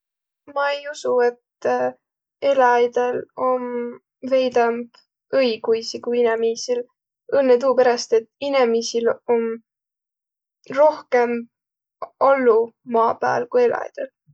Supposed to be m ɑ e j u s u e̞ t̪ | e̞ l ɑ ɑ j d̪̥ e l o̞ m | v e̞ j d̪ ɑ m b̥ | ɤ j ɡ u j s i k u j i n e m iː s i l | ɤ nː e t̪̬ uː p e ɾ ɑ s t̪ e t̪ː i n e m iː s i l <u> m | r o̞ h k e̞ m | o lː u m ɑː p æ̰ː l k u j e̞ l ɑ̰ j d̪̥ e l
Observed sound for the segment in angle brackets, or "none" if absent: o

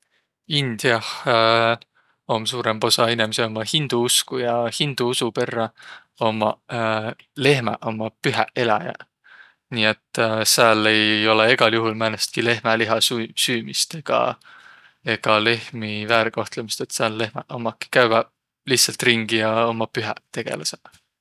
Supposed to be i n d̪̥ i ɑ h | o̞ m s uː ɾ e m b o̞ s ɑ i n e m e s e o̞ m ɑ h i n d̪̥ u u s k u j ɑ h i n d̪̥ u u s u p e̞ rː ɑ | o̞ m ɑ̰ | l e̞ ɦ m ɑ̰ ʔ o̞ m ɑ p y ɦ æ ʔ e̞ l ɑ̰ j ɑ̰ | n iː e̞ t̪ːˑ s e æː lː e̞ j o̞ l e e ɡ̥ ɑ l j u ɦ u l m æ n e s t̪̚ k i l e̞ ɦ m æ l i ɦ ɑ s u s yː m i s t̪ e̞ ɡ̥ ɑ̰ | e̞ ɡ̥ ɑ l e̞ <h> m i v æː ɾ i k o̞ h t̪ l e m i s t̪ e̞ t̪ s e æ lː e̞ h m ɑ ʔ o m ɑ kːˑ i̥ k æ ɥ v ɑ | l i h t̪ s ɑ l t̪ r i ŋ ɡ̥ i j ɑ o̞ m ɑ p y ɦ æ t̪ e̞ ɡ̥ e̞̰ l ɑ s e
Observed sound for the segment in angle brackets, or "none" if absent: h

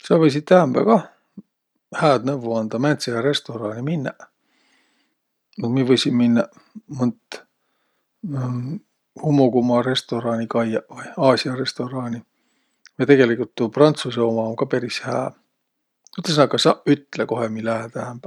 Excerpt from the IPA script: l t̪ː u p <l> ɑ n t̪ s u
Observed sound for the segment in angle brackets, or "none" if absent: r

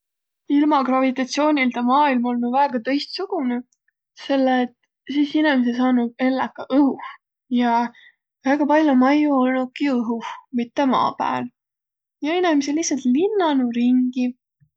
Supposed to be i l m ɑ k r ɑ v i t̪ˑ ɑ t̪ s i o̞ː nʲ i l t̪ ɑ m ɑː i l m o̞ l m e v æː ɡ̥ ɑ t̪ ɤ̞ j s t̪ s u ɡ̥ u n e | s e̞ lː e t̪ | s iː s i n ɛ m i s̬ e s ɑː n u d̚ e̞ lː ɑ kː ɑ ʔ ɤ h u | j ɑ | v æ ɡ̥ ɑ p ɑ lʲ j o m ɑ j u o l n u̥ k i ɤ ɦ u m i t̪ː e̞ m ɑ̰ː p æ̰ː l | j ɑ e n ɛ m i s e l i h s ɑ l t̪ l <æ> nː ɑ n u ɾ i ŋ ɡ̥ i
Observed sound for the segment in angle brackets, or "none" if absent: i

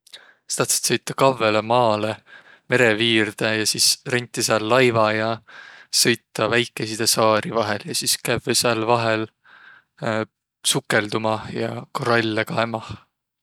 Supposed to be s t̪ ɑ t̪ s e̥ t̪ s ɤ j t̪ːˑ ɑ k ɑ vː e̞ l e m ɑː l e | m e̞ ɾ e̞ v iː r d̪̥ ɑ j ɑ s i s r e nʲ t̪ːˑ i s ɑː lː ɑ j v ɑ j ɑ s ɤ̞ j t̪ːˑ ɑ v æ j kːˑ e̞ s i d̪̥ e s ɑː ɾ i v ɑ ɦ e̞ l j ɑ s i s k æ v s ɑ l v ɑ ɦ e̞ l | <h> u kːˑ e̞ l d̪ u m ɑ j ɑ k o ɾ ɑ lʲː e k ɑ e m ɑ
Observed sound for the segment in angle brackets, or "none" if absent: s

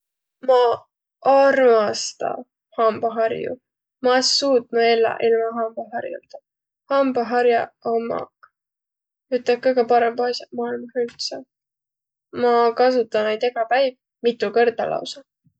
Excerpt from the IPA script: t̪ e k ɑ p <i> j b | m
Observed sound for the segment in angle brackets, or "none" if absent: æ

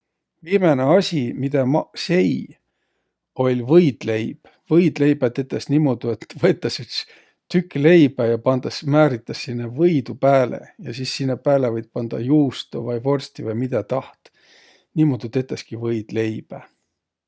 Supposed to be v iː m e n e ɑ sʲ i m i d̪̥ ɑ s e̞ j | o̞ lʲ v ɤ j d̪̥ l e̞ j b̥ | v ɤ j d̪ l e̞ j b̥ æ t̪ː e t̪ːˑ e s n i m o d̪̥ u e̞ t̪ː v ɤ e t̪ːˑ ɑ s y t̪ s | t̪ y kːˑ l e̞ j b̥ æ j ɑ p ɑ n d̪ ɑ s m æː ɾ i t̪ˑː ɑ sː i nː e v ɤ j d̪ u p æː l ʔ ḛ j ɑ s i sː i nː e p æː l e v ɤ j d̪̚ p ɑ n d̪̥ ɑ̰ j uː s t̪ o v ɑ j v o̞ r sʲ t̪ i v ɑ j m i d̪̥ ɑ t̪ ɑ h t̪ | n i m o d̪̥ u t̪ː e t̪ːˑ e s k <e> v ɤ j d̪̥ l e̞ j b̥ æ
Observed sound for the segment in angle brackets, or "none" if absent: i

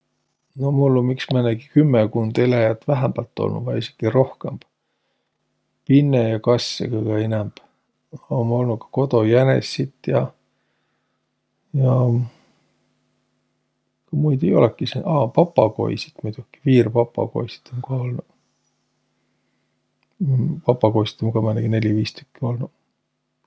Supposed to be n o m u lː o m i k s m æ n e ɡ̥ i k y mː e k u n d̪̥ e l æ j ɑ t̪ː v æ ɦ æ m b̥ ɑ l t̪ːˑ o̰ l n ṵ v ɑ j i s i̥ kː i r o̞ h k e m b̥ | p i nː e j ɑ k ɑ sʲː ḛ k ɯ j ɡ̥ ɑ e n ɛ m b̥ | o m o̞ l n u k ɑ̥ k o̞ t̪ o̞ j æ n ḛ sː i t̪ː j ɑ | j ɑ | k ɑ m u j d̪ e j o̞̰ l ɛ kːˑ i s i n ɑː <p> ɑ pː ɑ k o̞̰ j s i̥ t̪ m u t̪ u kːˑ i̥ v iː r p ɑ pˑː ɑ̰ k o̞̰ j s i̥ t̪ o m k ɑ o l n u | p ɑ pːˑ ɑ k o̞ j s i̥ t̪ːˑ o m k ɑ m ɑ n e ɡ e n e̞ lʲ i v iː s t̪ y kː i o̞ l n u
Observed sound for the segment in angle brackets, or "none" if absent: p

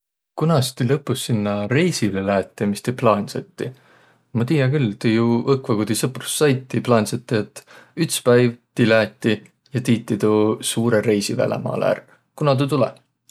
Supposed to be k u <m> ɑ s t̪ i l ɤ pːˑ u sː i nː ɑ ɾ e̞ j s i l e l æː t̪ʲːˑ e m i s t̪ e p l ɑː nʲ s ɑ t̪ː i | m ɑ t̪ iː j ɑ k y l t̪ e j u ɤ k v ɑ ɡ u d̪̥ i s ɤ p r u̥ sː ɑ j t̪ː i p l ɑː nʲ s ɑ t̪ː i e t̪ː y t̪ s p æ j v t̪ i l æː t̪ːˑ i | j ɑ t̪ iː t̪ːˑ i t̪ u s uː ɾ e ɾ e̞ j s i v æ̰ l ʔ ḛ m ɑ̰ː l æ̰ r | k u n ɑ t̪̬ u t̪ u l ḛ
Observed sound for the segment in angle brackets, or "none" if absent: n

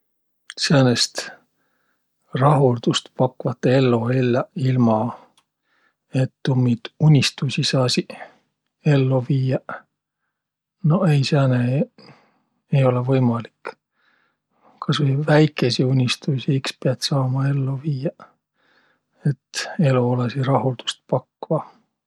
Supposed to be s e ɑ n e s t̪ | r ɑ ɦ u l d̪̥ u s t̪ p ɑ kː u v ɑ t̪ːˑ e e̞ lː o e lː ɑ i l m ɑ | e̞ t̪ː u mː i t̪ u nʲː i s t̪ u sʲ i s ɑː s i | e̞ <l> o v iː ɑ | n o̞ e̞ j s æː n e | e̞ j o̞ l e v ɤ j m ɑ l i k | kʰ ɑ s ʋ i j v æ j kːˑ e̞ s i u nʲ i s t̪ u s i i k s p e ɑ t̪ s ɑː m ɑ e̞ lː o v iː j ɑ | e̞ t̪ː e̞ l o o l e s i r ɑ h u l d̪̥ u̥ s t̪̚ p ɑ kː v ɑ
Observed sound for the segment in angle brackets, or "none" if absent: lː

